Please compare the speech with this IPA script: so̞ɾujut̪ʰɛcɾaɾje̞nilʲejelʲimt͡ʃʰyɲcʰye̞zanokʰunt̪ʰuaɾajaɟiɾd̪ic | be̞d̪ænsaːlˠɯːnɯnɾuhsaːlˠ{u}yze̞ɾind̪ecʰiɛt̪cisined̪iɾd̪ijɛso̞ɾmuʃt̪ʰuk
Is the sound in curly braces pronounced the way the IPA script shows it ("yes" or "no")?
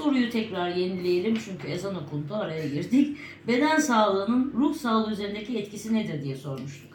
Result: no